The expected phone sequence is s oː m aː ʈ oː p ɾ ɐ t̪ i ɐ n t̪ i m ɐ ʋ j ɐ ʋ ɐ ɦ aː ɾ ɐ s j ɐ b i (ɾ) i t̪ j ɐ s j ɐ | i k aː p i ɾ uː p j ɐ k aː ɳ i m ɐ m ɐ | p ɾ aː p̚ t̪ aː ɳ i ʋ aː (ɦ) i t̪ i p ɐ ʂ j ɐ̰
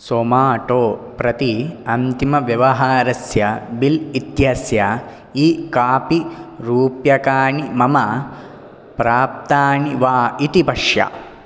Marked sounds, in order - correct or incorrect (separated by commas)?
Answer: incorrect, incorrect